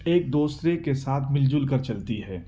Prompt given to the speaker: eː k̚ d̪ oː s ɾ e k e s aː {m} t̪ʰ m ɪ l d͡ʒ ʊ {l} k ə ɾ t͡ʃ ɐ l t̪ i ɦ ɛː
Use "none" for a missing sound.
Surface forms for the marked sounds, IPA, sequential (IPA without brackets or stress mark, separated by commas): none, l